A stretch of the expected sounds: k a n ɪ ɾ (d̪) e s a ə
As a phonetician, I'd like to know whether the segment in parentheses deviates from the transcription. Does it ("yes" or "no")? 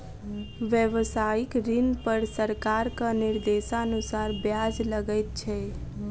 no